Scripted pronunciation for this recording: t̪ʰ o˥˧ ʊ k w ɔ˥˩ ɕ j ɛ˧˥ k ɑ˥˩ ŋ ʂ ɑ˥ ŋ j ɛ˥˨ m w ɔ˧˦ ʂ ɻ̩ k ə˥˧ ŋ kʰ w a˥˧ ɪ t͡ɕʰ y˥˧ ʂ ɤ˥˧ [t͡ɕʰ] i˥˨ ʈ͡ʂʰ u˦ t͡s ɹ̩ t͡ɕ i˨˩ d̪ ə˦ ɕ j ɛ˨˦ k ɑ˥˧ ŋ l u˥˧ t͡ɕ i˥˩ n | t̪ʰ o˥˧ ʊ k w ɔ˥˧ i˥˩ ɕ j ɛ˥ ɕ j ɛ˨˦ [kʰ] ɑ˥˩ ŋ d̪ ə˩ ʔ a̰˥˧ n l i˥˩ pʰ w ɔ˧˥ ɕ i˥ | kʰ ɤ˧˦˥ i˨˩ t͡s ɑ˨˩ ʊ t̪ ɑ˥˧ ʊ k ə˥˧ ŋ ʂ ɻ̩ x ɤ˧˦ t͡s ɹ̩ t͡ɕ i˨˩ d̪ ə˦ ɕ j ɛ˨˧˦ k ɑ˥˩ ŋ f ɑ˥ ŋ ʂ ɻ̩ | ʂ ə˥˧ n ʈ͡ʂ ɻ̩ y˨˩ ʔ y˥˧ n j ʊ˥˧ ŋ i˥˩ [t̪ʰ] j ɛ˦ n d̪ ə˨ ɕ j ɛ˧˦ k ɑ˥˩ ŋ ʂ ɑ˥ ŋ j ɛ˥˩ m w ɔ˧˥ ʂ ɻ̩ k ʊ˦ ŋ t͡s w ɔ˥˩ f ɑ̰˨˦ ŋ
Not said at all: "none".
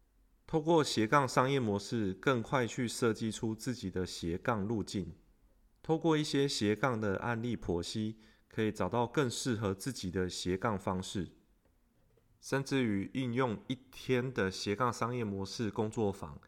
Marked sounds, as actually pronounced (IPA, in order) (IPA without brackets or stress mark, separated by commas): t͡ɕ, k, t̪ʰ